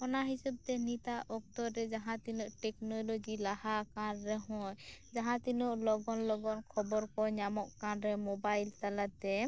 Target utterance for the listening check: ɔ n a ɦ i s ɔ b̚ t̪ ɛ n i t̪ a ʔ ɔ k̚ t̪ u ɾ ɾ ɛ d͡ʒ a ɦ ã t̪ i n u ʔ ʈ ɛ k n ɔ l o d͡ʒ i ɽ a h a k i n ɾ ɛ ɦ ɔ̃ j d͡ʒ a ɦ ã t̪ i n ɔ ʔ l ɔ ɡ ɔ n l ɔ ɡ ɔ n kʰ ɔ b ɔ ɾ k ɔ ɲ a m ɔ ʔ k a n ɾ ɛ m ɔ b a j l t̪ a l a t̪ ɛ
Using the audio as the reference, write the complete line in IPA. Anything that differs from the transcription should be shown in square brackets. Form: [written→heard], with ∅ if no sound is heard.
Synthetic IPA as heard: ɔ n a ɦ i s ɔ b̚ t̪ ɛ n i t̪ a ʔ ɔ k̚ t̪ [u→ɔ] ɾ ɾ ɛ d͡ʒ a ɦ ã t̪ i n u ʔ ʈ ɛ k n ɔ l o d͡ʒ i [ɽ→l] a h a k [i→a] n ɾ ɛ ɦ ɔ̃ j d͡ʒ a ɦ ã t̪ i n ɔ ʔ l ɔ ɡ ɔ n l ɔ ɡ ɔ n kʰ ɔ b ɔ ɾ k ɔ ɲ a m ɔ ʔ k a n ɾ ɛ m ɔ b a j l t̪ a l a t̪ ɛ